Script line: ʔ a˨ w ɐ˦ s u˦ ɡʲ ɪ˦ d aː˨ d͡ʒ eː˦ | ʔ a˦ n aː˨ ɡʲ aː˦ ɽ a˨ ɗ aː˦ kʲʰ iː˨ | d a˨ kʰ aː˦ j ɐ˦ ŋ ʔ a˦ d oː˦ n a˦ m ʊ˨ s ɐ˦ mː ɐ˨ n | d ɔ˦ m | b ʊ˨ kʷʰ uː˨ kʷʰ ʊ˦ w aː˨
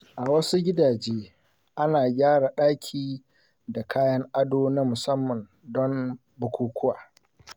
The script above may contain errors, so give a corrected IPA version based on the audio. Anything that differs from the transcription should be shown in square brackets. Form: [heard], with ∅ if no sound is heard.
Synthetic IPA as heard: ʔ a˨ w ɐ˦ s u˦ ɡʲ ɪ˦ d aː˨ d͡ʒ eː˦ | ʔ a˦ n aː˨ ɡʲ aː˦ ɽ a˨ ɗ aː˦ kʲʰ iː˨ | d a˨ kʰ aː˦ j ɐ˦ ŋ ʔ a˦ d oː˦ n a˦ m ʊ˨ s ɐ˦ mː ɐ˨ n | d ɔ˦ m | b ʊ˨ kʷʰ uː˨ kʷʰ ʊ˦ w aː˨

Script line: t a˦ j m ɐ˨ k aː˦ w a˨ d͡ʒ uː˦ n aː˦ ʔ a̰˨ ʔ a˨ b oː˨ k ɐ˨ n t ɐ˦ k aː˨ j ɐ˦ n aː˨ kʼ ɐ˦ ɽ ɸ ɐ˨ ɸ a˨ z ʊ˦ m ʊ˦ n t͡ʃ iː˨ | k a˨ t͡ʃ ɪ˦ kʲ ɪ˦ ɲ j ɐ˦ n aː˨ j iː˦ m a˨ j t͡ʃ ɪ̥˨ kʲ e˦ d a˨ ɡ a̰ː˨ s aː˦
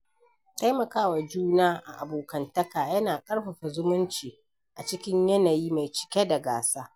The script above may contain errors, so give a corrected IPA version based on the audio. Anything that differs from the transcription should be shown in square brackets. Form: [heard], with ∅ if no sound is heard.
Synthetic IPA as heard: t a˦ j m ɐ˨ k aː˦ w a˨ d͡ʒ uː˦ n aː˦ ʔ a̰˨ ʔ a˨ b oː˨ k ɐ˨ n t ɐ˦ k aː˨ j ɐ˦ n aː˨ kʼ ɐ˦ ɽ ɸ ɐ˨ ɸ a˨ z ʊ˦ m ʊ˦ n t͡ʃ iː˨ | [ʔ] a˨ t͡ʃ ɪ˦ kʲ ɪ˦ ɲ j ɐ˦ n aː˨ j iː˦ m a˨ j t͡ʃ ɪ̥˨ kʲ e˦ d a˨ ɡ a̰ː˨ s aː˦

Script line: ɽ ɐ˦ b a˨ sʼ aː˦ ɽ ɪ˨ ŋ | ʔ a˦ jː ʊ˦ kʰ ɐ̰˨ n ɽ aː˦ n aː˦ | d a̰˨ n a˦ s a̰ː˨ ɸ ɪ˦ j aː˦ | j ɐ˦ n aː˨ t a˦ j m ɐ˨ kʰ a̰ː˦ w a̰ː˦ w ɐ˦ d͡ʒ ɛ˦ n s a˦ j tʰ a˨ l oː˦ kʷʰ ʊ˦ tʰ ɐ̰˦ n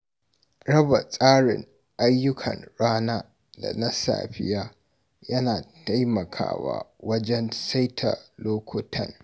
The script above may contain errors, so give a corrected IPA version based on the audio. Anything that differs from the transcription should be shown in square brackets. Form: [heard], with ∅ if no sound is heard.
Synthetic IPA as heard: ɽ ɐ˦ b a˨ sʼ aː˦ ɽ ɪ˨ ŋ | ʔ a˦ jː ʊ˦ kʰ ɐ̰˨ n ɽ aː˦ n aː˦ | d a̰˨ n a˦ s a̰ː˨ ɸ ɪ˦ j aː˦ | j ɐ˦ n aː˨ t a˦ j m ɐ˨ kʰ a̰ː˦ w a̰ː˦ w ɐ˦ d͡ʒ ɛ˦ n s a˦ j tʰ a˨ l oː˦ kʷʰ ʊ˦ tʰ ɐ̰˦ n

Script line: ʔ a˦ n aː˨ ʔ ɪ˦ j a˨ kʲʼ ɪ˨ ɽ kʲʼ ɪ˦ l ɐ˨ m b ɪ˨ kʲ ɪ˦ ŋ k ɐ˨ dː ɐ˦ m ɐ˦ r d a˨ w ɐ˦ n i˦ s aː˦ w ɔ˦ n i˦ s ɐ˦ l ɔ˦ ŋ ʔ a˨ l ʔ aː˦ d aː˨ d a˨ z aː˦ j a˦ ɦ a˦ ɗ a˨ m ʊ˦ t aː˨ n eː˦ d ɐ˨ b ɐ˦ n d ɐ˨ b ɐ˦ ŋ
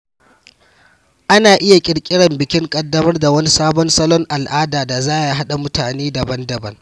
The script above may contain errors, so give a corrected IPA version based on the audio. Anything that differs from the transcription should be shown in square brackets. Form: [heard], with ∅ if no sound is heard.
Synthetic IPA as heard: ʔ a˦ n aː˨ ʔ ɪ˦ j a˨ kʲʼ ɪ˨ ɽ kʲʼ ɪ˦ [ɽ] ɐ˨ m b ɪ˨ kʲ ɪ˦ ŋ [kʼ] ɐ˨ dː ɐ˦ m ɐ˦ r d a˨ w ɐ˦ n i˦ s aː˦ [b] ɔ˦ n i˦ s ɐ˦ l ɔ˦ ŋ ʔ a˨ l ʔ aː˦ d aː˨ d a˨ z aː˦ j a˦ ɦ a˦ ɗ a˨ m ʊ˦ t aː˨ n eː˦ d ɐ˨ b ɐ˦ n d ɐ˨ b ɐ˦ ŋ

